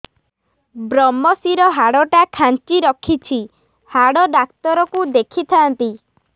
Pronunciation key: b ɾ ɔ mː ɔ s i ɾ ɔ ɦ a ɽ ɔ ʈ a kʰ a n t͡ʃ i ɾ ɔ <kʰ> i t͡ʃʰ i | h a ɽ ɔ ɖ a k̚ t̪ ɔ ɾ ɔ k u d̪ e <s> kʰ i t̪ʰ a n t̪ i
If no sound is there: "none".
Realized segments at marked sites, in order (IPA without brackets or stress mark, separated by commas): kʰ, none